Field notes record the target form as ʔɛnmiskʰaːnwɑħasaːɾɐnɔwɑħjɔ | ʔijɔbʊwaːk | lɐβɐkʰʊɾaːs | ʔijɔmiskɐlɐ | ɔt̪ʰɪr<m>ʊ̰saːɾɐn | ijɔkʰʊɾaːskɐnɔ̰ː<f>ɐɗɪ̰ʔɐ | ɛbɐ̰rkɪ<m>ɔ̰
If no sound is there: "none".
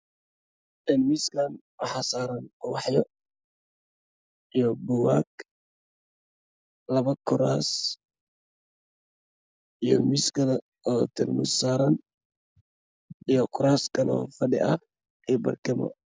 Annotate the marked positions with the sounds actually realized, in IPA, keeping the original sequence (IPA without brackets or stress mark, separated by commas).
m, f, m